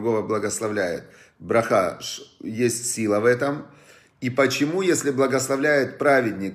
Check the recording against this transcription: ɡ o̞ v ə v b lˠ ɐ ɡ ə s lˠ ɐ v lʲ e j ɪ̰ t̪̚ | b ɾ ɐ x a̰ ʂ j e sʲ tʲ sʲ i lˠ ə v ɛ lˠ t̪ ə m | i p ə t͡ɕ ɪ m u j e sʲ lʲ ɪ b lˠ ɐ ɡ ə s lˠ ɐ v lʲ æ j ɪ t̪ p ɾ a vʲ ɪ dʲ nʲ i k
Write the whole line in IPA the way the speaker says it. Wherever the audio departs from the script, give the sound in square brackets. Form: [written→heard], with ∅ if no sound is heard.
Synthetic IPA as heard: ɡ o̞ v ə [v→∅] b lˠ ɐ ɡ ə s lˠ ɐ v lʲ [e→æ] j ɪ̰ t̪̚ | b ɾ ɐ x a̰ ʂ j e sʲ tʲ sʲ i lˠ ə v ɛ [lˠ→∅] t̪ ə m | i p ə t͡ɕ ɪ m u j e sʲ lʲ ɪ b lˠ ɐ ɡ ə s lˠ ɐ v lʲ æ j ɪ t̪ p ɾ a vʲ ɪ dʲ nʲ [i→ɪ] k